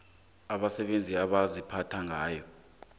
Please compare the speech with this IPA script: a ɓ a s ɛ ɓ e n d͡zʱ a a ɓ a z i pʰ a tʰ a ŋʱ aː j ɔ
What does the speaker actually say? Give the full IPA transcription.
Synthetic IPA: a ɓ a s ɛ ɓ e n d͡zʱ i a ɓ a z i pʰ a tʰ a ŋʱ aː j ɔ